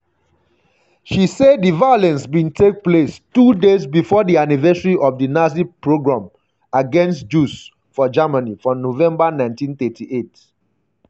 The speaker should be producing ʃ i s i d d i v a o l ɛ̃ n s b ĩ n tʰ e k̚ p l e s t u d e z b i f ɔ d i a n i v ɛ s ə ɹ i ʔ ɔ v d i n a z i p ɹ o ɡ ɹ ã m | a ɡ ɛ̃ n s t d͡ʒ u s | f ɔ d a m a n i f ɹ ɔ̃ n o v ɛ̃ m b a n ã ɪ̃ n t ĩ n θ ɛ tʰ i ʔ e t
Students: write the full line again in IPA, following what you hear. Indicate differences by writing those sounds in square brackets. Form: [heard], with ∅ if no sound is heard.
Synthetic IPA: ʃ i s [e] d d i v a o l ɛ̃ n s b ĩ n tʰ e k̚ p l e s t u d e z b i f ɔ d i a n i v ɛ s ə ɹ i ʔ ɔ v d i n a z i p ɹ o ɡ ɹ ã m | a ɡ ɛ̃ n s t d͡ʒ u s | f ɔ [d͡ʒ] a m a n i f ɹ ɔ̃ n o v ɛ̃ m b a n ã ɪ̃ n t ĩ n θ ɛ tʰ i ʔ e t